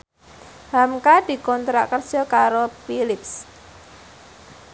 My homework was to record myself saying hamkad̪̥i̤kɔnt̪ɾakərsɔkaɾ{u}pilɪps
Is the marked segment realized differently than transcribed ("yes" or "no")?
yes